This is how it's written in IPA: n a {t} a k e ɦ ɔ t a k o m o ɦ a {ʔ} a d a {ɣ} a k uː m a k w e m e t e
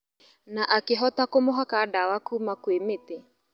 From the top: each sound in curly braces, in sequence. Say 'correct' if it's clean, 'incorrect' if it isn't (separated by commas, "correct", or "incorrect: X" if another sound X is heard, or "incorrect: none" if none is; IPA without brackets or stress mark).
incorrect: ʔ, incorrect: k, incorrect: w